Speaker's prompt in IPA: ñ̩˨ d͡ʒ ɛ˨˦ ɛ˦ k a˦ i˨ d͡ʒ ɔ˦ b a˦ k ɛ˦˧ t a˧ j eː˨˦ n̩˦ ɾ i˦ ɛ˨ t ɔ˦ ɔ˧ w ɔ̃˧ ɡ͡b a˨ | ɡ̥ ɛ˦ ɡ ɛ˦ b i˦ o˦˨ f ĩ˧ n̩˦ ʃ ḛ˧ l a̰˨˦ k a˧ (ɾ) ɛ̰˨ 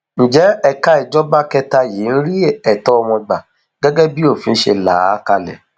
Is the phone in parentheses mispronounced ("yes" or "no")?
yes